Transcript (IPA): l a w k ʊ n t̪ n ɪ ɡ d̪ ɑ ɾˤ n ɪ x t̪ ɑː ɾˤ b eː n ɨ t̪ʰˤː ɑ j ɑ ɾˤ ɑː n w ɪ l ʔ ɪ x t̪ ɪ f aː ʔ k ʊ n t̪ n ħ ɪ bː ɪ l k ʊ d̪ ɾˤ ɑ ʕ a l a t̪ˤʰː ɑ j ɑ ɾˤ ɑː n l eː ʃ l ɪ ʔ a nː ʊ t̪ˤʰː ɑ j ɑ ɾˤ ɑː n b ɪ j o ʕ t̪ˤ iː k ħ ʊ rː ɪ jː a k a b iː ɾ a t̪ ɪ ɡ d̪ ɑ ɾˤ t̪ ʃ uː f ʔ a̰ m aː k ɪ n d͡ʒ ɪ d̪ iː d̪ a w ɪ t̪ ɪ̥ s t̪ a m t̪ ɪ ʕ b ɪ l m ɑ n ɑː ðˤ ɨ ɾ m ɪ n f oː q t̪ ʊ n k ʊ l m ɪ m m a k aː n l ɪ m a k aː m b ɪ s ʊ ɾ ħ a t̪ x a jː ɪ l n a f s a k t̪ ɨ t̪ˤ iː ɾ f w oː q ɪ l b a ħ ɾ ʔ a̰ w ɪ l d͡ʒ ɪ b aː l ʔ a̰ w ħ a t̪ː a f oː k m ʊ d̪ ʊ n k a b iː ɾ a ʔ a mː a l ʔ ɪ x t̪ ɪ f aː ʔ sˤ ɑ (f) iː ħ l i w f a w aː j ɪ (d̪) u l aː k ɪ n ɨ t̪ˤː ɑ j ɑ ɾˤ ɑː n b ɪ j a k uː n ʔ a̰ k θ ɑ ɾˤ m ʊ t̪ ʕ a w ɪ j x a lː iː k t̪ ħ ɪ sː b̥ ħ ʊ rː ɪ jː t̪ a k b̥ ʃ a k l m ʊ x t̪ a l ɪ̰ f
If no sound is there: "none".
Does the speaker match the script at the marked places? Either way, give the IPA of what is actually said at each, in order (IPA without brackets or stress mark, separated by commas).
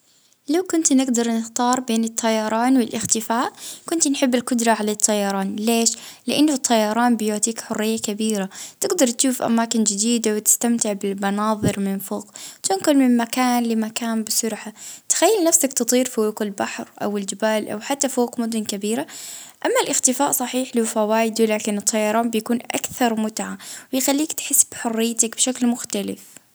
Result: ħ, d̪